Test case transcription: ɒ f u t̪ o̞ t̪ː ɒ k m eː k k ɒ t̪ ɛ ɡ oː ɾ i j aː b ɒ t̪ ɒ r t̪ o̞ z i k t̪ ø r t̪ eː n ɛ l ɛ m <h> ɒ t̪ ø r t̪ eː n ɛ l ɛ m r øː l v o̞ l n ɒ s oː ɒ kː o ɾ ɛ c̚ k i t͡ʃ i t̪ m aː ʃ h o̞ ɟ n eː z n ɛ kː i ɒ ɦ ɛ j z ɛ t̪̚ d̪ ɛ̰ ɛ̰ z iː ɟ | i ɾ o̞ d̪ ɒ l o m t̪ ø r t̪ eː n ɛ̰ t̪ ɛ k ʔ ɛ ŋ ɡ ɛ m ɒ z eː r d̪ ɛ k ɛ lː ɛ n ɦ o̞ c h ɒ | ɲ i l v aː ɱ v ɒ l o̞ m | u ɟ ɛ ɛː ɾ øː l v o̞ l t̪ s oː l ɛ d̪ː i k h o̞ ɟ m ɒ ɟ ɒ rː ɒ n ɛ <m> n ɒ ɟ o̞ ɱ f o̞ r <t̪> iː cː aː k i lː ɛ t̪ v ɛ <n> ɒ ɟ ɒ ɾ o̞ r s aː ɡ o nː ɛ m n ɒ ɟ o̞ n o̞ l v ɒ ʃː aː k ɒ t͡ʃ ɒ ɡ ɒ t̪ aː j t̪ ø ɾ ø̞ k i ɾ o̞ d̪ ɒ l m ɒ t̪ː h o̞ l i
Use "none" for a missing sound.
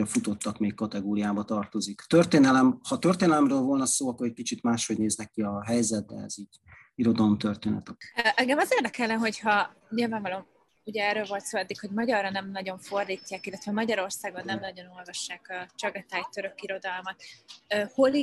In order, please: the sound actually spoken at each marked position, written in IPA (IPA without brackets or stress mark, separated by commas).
h, m, d̪, m